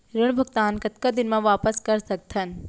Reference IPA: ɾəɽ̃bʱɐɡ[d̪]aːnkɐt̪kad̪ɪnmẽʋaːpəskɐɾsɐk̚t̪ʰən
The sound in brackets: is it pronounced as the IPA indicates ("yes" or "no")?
no